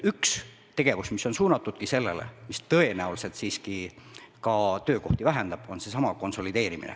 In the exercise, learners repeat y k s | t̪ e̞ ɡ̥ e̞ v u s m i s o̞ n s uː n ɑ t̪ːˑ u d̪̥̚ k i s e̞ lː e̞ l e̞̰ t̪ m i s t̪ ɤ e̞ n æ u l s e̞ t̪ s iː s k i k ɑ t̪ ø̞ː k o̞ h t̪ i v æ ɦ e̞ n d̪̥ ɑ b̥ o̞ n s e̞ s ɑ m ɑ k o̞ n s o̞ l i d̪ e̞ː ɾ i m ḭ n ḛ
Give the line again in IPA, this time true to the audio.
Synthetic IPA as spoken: y k s | t̪ e̞ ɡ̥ e̞ v u s m i s o̞ n s uː n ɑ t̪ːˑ u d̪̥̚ k i s e̞ lː e̞ l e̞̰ m i s t̪ ɤ e̞ n æ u l s e̞ t̪ s iː s k i k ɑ t̪ ø̞ː k o̞ h t̪ i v æ ɦ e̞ n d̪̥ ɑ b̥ o̞ n s e̞ s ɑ m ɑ k o̞ n s o̞ l i d̪ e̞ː ɾ i m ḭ n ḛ